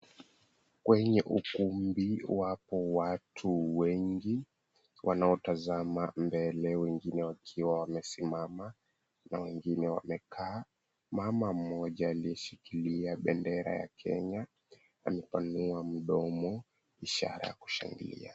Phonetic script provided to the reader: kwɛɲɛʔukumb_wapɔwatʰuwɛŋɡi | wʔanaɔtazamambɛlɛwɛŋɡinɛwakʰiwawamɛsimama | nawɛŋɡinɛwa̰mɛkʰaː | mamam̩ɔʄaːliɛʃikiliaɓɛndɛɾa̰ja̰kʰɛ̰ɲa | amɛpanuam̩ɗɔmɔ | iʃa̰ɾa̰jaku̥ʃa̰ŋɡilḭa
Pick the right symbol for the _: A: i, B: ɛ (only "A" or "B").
A